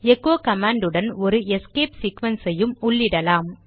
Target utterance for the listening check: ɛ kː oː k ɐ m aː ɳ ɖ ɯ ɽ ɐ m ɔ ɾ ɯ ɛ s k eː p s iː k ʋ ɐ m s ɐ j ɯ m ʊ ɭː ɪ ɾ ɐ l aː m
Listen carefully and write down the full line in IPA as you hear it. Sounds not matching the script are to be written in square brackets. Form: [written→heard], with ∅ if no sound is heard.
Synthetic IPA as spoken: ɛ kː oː k ɐ m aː ɳ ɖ ɯ ɽ ɐ [m→n] ɔ ɾ ɯ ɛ s k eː p s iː k ʋ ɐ [m→n] s ɐ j ɯ m ʊ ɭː ɪ [ɾ→ɽ] ɐ l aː m